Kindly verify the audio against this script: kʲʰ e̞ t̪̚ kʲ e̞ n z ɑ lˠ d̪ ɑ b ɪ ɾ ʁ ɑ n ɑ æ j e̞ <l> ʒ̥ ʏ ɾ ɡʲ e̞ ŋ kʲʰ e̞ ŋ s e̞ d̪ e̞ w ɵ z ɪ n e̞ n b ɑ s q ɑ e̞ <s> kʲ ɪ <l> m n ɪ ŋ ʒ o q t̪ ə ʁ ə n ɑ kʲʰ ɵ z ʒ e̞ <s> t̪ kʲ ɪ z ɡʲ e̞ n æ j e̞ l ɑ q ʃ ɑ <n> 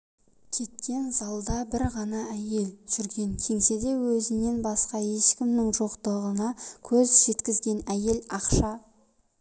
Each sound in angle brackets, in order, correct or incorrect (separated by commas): correct, incorrect, incorrect, incorrect, incorrect